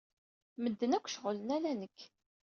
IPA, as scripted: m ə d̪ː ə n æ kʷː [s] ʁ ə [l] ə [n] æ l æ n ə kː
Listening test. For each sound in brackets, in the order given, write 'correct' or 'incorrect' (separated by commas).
incorrect, correct, correct